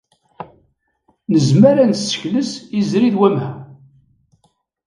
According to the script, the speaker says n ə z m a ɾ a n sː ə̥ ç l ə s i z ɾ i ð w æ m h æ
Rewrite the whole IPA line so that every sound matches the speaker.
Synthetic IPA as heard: n ə z m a ɾ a n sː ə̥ ç l ə s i z ɾ i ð w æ m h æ